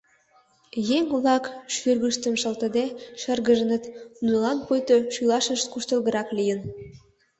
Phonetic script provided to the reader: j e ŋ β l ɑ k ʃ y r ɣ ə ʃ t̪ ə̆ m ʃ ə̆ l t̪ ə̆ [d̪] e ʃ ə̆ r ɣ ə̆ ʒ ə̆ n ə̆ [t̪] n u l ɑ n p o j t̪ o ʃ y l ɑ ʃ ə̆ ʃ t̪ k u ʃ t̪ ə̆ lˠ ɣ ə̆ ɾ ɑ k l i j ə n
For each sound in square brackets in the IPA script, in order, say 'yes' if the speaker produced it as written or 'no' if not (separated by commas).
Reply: yes, yes